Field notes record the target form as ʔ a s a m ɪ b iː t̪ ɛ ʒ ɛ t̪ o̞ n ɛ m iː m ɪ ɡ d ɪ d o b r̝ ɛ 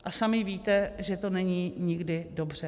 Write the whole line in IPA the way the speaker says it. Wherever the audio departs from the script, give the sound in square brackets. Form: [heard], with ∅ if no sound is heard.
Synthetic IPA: ʔ a s a m ɪ [v] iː t̪ ɛ ʒ ɛ t̪ o̞ n ɛ [ɲ] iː [ɲ] ɪ ɡ d ɪ d o b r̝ ɛ